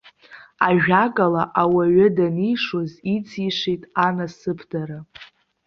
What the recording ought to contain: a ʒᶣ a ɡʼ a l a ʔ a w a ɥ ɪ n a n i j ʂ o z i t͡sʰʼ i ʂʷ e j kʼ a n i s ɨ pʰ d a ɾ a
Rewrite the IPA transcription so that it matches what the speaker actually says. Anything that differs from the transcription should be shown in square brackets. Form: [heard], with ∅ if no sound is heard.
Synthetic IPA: a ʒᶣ a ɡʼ a l a ʔ a w a ɥ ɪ [d] a n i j ʂ o z i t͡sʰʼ i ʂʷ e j [tʼ] a n [a] s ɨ pʰ d a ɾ a